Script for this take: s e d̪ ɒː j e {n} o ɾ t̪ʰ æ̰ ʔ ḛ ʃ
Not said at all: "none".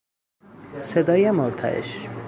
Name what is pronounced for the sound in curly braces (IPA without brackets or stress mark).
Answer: m